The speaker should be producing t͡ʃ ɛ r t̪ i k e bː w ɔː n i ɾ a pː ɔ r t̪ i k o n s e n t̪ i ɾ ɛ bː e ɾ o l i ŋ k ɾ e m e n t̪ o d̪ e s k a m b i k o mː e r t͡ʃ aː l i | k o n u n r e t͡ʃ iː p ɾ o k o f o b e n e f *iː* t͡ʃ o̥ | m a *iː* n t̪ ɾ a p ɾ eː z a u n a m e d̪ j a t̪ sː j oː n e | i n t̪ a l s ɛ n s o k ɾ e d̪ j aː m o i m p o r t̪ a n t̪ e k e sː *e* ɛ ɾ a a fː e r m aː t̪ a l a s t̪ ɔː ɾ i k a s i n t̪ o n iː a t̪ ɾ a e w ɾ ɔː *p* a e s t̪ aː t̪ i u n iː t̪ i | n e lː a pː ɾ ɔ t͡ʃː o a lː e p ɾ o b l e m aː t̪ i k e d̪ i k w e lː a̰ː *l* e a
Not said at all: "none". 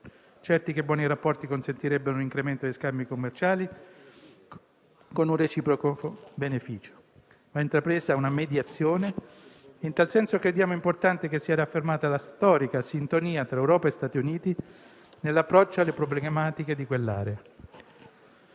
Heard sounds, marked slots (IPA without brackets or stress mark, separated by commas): iː, i, i, p, ɾ